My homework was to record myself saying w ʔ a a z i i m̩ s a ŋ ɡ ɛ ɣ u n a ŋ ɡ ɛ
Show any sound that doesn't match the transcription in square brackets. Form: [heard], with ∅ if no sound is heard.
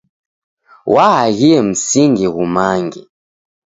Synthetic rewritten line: w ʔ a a [ɣ] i [ɛ] m̩ s [i] ŋ ɡ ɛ ɣ u [m] a ŋ ɡ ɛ